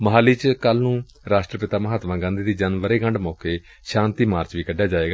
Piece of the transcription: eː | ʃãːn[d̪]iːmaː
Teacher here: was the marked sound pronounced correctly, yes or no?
no